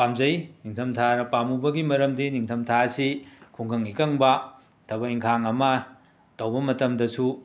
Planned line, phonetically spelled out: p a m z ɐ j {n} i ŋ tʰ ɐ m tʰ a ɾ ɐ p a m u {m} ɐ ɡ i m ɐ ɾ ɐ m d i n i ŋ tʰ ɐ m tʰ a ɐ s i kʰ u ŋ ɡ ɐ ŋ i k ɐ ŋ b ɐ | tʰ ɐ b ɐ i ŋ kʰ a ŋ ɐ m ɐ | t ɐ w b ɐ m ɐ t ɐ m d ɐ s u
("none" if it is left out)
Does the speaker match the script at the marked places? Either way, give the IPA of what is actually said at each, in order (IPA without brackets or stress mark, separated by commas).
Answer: n, b